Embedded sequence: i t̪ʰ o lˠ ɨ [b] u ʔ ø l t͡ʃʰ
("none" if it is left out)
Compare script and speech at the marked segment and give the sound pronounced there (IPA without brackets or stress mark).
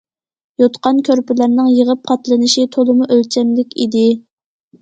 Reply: m